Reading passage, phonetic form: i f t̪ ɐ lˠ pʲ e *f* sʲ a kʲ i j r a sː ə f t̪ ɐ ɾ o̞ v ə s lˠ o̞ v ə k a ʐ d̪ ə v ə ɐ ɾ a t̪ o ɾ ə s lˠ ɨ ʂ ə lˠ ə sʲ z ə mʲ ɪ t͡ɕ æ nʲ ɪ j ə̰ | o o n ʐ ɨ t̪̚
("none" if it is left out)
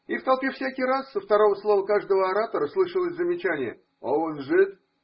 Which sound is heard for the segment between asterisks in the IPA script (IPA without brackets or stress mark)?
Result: f